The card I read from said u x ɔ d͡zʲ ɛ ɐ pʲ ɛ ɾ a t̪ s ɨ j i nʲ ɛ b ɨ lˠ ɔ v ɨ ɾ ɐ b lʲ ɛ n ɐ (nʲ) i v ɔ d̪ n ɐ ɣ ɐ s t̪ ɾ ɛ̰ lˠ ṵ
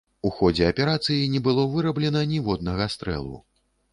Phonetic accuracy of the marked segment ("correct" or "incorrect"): correct